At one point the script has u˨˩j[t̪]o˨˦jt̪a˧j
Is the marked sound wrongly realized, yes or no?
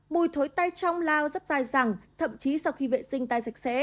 yes